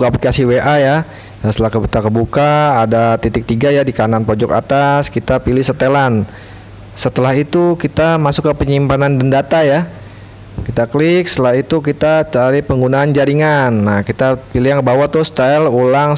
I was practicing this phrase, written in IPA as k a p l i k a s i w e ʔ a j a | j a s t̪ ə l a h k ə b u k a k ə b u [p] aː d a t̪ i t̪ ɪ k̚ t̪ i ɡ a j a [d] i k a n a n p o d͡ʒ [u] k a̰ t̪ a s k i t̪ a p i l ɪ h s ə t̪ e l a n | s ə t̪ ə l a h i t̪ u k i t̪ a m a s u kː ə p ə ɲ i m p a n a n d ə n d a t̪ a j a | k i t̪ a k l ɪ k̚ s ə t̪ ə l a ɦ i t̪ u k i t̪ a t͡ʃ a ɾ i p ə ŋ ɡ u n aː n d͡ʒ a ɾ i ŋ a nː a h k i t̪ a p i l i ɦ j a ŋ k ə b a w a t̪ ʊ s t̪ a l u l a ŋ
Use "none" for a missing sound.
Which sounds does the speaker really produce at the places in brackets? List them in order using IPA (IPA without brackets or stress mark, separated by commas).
k, d, ɔ